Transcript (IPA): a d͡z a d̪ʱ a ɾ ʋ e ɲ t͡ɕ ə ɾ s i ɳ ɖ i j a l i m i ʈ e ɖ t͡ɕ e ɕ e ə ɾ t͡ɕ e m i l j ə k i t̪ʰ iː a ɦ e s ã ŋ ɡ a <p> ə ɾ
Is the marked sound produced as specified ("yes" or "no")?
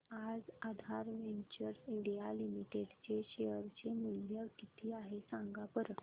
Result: yes